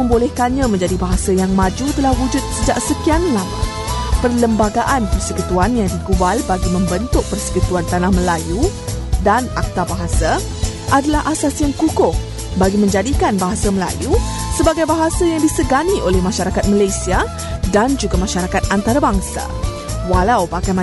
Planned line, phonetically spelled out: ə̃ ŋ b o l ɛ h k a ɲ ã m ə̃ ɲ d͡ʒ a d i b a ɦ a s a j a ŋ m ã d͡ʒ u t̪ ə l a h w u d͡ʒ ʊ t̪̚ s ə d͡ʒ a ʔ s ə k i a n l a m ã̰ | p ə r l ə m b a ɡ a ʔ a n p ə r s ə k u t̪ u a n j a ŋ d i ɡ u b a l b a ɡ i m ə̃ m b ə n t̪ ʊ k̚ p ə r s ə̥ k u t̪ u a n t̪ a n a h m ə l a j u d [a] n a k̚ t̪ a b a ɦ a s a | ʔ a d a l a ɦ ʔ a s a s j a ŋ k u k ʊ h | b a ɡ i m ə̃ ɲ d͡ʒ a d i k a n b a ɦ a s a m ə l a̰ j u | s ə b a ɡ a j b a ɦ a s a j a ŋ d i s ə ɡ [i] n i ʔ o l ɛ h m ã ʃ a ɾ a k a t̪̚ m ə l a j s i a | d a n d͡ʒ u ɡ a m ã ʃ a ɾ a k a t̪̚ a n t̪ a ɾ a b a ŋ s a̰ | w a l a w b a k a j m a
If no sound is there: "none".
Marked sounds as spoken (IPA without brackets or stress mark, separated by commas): a, a